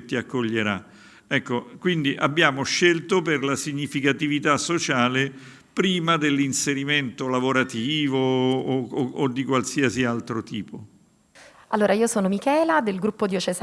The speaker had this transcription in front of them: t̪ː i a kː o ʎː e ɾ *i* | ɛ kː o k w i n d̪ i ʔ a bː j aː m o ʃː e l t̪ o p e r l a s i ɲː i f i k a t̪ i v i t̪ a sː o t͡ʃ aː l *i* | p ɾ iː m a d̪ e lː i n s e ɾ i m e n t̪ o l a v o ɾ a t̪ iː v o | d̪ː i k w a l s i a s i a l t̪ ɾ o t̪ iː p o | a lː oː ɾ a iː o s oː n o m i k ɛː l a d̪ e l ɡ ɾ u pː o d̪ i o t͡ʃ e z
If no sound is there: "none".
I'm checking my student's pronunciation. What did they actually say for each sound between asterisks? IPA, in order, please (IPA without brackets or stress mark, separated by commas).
a, e